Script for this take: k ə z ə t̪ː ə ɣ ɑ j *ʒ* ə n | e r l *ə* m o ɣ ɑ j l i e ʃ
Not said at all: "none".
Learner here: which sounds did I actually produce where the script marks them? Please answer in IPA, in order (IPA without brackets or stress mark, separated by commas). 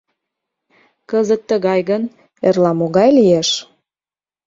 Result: ɣ, ɑ